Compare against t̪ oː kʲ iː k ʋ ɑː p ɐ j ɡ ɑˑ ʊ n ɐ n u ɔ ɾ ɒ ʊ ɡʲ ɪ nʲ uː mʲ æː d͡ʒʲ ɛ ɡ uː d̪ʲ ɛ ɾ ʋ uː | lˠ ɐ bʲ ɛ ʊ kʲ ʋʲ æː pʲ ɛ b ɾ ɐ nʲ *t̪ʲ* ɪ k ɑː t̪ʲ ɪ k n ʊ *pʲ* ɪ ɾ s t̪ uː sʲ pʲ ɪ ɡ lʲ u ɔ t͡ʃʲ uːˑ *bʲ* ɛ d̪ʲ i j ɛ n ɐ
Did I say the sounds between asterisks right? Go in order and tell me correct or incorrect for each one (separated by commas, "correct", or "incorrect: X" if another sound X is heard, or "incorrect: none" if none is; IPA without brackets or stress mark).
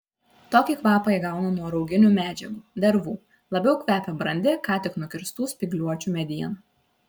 incorrect: d̪ʲ, incorrect: kʲ, incorrect: mʲ